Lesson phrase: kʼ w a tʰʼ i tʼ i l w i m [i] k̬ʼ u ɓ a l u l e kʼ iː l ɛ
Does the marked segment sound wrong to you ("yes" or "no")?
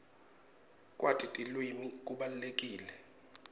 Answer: no